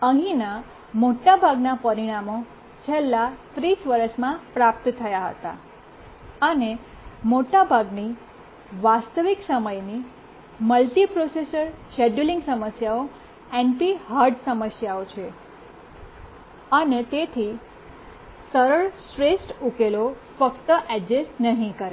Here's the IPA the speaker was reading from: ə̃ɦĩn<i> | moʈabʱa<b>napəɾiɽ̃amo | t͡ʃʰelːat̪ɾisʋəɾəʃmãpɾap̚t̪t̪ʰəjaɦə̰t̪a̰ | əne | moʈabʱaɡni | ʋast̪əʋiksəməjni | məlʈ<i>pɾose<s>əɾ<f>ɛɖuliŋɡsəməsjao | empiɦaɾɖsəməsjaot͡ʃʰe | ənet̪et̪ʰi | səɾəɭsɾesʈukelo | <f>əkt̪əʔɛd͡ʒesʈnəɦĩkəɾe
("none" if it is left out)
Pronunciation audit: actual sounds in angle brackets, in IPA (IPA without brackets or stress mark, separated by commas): a, ɡ, i, s, ʃ, f